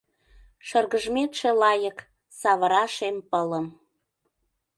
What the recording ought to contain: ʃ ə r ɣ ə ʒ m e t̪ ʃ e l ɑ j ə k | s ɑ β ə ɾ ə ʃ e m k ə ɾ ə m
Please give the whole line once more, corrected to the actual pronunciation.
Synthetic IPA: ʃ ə r ɣ ə ʒ m e t̪ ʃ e l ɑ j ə k | s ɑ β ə ɾ ɑ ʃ e m p ə l ə m